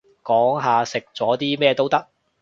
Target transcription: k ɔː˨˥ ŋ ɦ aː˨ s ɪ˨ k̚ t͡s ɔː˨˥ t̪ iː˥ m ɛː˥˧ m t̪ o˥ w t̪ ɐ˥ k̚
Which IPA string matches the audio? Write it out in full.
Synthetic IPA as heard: k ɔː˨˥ ŋ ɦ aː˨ s ɪ˨ k̚ t͡s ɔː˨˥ t̪ iː˥ m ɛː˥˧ t̪ o˥ w t̪ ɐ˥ k̚